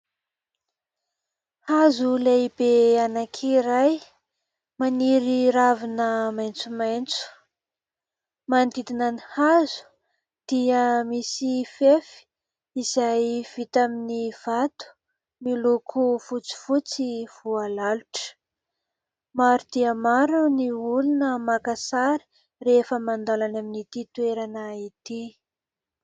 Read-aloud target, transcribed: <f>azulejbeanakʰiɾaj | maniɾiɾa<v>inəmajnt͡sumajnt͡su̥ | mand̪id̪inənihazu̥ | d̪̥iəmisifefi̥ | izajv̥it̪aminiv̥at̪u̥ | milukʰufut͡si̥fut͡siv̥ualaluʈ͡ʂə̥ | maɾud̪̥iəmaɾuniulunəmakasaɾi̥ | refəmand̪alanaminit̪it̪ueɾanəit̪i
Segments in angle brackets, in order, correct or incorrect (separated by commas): incorrect, correct